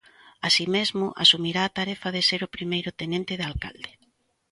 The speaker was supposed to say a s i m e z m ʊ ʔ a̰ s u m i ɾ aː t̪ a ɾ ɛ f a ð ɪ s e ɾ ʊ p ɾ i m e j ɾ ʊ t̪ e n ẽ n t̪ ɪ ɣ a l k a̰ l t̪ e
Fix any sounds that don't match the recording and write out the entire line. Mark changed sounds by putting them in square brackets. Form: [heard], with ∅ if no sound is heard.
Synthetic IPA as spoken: a s i m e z m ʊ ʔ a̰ s u m i ɾ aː t̪ a ɾ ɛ f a ð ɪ s e ɾ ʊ p ɾ i m e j ɾ ʊ t̪ e n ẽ n t̪ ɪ [ð] a l k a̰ l [d̪] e